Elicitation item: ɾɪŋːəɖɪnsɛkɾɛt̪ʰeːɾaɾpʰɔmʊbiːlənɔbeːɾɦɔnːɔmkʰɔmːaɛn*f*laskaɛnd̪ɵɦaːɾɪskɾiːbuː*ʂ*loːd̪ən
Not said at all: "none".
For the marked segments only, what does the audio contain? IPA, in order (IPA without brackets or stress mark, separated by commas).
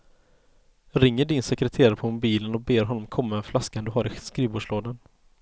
f, ʂ